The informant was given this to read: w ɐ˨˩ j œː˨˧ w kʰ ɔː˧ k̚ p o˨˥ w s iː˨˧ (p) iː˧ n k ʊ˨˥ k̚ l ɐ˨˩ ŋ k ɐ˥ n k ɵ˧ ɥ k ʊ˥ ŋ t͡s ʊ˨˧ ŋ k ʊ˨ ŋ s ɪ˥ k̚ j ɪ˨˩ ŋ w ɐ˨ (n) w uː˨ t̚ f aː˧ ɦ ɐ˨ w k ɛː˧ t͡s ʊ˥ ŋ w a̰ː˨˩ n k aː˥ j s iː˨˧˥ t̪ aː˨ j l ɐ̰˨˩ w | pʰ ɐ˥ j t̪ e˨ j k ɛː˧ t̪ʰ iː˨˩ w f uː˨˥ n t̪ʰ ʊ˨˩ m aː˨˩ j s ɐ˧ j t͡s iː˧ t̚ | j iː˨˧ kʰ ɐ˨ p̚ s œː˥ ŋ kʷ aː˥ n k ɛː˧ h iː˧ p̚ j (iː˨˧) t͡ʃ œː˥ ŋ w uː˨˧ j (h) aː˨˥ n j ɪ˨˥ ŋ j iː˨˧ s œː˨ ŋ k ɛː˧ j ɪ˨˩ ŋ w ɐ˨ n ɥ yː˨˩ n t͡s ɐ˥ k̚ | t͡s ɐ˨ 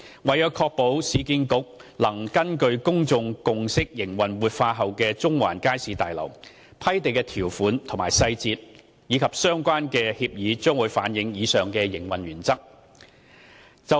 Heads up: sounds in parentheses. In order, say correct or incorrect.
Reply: incorrect: k, correct, correct, incorrect: f

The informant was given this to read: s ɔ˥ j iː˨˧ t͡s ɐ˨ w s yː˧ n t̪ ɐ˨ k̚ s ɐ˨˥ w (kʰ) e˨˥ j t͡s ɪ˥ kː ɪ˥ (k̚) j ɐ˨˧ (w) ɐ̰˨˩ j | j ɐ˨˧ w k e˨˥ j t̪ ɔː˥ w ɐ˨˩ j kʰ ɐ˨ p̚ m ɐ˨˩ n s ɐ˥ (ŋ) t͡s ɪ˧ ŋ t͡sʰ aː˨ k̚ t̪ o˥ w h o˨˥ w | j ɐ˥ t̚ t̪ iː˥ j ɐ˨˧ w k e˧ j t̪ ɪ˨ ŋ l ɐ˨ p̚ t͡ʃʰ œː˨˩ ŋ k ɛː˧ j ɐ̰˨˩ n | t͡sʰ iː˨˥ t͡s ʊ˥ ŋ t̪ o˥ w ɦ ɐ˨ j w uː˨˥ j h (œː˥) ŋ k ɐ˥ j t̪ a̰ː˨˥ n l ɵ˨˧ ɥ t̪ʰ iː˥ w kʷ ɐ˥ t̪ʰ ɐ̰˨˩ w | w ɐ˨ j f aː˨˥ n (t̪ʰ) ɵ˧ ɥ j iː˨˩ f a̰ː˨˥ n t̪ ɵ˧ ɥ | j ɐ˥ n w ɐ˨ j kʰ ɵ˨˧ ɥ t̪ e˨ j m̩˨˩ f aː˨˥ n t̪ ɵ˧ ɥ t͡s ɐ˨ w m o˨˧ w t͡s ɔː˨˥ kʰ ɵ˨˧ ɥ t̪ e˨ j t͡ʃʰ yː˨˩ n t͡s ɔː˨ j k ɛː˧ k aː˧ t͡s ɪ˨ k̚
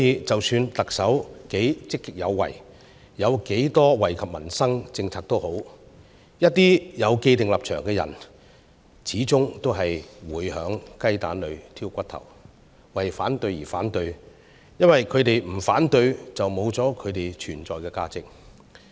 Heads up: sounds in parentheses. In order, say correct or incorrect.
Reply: incorrect: k, correct, incorrect: wː, correct, incorrect: œː˨˧˥, incorrect: t̪

